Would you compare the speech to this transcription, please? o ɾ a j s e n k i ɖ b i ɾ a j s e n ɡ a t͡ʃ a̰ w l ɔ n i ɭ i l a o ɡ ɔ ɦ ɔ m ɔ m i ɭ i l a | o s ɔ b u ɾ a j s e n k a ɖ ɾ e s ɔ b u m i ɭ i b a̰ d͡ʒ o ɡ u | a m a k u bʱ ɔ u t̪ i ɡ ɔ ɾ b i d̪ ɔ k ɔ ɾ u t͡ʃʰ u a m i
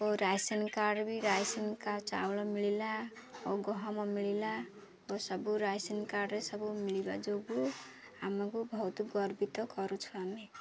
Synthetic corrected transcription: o ɾ a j s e n k a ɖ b i ɾ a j s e n k a t͡ʃ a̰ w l ɔ m i ɭ i l a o ɡ ɔ ɦ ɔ m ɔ m i ɭ i l a | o s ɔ b u ɾ a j s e n k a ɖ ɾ e s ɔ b u m i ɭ i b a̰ d͡ʒ o ɡ u | a m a k u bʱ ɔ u t̪ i ɡ ɔ ɾ b i t̪ ɔ k ɔ ɾ u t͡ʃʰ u a m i

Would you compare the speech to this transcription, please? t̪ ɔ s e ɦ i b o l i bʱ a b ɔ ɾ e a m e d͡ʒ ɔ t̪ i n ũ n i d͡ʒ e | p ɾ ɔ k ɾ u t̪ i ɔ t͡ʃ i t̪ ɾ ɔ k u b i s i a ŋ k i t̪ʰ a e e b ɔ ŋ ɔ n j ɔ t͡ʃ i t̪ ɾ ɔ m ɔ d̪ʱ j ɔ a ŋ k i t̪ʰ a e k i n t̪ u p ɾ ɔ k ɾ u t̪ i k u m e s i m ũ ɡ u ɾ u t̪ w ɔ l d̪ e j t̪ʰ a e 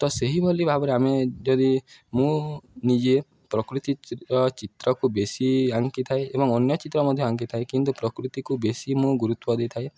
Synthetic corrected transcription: t̪ ɔ s e ɦ i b o l i bʱ a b ɔ ɾ e a m e d͡ʒ ɔ d̪ i m ũ n i d͡ʒ e | p ɾ ɔ k ɾ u t̪ i ɔ t͡ʃ i t̪ ɾ ɔ k u b e s i a ŋ k i t̪ʰ a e e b ɔ ŋ ɔ n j ɔ t͡ʃ i t̪ ɾ ɔ m ɔ d̪ʱ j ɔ a ŋ k i t̪ʰ a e k i n t̪ u p ɾ ɔ k ɾ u t̪ i k u b e s i m ũ ɡ u ɾ u t̪ w ɔ d̪ e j t̪ʰ a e

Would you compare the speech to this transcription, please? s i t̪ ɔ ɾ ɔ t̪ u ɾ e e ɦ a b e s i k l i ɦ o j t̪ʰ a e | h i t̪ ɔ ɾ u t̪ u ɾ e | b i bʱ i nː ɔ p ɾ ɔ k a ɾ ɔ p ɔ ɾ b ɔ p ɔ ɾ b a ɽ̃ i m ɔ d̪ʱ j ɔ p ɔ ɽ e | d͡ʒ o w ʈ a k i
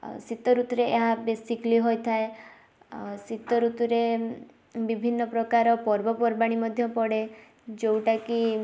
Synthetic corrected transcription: s i t̪ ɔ ɾ u t̪ u ɾ e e ɦ a b e s i k l i ɦ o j t̪ʰ a e | s i t̪ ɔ ɾ u t̪ u ɾ e | b i bʱ i nː ɔ p ɾ ɔ k a ɾ ɔ p ɔ ɾ b ɔ p ɔ ɾ b a ɽ̃ i m ɔ d̪ʱ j ɔ p ɔ ɽ e | d͡ʒ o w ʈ a k i

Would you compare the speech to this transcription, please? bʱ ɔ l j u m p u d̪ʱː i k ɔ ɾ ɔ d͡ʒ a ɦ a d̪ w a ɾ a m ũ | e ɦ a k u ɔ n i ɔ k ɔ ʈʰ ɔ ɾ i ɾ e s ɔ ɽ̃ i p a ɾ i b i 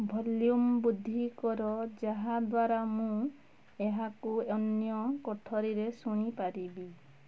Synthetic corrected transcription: bʱ ɔ l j u m b u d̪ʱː i k ɔ ɾ ɔ d͡ʒ a ɦ a d̪ w a ɾ a m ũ | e ɦ a k u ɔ n j ɔ k ɔ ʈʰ ɔ ɾ i ɾ e s u ɽ̃ i p a ɾ i b i

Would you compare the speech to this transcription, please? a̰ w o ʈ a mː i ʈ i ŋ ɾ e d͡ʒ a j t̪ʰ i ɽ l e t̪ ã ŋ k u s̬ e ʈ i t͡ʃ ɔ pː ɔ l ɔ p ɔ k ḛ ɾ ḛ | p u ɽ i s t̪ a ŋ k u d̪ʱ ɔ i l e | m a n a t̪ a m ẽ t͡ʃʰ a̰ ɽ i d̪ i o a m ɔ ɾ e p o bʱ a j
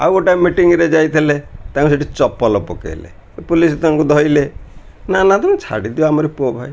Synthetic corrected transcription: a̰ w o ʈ a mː i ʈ i ŋ ɾ e d͡ʒ a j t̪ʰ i l e t̪ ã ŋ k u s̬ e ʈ i t͡ʃ ɔ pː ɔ l ɔ p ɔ k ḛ l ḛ | p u l i s t̪ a ŋ k u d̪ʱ ɔ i l e | n a n a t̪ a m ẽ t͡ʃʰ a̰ ɽ i d̪ i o a m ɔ ɾ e p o bʱ a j

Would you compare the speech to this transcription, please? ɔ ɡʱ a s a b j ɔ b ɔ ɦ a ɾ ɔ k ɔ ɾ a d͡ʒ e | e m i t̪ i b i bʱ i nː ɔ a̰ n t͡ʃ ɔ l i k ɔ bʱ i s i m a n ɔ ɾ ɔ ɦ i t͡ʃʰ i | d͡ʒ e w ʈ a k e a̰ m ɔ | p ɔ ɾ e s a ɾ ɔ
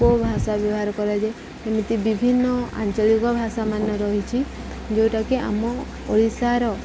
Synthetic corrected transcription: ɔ bʱ a s a b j ɔ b ɔ ɦ a ɾ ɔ k ɔ ɾ a d͡ʒ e | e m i t̪ i b i bʱ i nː ɔ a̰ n t͡ʃ ɔ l i k ɔ bʱ a s a m a n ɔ ɾ ɔ ɦ i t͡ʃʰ i | d͡ʒ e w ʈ a k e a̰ m ɔ | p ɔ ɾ i s a ɾ ɔ

